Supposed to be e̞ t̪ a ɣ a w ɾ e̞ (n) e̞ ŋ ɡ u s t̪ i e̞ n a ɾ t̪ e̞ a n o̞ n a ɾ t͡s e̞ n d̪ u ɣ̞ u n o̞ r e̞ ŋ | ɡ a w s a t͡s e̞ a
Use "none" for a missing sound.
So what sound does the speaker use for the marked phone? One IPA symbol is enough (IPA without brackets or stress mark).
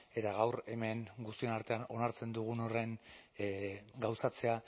m